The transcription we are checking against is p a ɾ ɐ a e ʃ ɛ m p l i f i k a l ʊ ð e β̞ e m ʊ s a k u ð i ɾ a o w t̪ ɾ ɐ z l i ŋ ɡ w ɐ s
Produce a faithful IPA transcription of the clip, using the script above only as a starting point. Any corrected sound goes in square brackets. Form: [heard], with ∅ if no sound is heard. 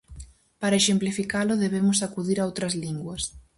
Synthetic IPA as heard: p a ɾ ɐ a e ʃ [e] m p l i f i k a l ʊ ð e β̞ e m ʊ s a k u ð i ɾ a o w t̪ ɾ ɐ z l i ŋ ɡ w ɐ s